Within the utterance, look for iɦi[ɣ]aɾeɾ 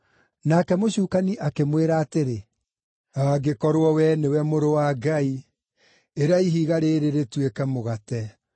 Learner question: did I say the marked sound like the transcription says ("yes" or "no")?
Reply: yes